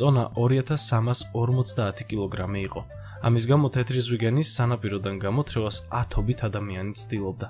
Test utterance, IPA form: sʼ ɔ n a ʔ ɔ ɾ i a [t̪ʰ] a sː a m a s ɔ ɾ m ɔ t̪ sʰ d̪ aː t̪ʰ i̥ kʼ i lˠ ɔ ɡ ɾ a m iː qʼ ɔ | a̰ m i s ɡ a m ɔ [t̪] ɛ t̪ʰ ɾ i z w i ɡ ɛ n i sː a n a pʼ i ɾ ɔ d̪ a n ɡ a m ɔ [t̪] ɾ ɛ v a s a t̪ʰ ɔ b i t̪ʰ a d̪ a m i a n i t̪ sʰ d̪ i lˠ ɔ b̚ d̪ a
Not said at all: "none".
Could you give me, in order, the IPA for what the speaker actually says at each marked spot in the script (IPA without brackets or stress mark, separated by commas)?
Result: t̪ʰ, t̪ʰ, t̪ʰ